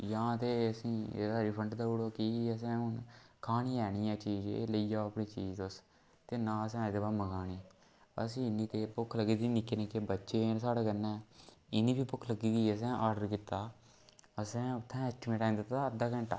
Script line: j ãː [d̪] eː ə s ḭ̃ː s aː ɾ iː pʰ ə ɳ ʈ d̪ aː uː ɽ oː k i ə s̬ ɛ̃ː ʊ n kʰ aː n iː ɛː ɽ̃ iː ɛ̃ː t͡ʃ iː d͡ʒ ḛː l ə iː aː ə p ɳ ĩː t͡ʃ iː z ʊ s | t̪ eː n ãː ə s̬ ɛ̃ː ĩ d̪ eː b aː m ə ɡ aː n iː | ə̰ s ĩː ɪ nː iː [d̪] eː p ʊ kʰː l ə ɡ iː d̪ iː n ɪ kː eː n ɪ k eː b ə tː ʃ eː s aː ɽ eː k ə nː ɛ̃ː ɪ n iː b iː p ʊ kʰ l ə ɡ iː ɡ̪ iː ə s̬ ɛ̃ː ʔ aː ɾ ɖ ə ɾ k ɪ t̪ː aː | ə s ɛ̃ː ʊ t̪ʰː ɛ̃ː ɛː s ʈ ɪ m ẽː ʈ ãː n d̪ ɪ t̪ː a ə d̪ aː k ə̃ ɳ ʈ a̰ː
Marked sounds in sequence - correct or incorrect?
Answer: incorrect: t̪, incorrect: t̪

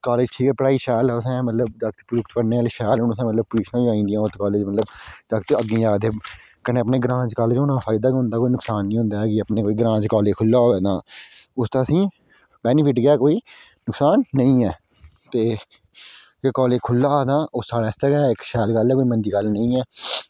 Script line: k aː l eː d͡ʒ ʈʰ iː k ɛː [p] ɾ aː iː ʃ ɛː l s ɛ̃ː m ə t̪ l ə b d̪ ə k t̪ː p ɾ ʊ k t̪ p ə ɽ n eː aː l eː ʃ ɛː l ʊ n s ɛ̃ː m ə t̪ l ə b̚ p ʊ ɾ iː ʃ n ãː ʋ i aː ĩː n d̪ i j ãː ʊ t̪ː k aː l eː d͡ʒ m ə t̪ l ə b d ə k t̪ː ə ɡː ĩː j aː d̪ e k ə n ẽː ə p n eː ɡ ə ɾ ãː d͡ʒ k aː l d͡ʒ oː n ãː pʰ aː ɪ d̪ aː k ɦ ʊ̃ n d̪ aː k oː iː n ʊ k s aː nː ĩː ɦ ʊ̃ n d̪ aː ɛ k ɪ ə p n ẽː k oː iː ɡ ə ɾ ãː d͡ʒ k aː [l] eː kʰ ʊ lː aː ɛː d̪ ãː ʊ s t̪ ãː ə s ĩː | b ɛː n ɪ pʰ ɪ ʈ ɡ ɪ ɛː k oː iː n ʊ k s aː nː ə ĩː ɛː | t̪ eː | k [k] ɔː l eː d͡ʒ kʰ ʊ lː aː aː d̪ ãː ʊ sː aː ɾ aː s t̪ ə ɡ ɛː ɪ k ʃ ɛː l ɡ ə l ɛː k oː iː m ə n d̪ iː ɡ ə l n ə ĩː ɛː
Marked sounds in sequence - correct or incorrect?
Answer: correct, correct, correct

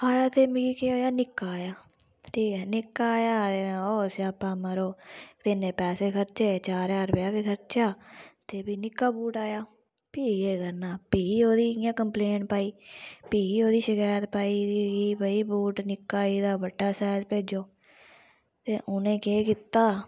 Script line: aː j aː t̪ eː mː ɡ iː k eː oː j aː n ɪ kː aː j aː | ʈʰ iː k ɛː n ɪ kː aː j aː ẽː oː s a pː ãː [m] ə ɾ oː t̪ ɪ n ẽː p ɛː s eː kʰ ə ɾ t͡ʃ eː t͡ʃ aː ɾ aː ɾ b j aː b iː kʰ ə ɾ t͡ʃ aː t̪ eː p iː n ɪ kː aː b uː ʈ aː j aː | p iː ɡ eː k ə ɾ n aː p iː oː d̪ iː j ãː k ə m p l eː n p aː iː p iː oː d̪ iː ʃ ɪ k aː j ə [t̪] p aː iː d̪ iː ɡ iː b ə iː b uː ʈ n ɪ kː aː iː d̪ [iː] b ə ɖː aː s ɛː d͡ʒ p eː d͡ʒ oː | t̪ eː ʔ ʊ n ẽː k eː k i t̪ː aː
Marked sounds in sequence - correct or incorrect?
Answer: correct, correct, incorrect: aː

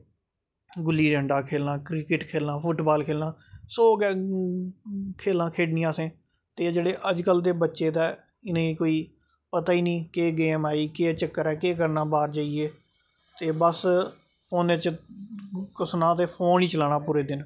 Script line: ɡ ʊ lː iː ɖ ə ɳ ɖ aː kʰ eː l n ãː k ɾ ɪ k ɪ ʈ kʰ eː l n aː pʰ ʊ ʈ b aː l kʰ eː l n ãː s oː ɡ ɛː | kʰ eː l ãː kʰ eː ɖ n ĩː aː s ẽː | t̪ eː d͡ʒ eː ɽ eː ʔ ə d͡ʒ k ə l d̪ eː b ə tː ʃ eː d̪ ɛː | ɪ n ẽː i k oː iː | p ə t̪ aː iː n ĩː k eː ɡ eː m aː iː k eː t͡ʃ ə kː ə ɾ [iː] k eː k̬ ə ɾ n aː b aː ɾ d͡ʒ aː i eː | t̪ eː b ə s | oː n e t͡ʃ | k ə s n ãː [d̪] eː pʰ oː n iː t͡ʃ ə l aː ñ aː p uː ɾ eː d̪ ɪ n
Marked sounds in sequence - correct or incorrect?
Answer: incorrect: ɛː, incorrect: t̪

